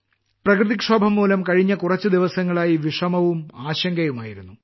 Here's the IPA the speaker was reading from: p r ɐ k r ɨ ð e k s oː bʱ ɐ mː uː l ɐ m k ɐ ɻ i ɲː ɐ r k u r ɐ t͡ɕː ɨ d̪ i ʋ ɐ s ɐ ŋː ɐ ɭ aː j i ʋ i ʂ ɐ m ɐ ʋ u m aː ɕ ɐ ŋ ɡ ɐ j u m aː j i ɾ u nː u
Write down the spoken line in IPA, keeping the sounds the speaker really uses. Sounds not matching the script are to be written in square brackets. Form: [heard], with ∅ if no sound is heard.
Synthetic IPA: p r ɐ k r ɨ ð [i] k [ʂ] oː bʱ ɐ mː uː l ɐ m k ɐ ɻ i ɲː ɐ [∅] k u r ɐ t͡ɕː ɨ d̪ i ʋ ɐ s ɐ ŋː ɐ ɭ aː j i ʋ i ʂ ɐ m ɐ ʋ u m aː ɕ ɐ ŋ ɡ ɐ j u m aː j i ɾ u nː u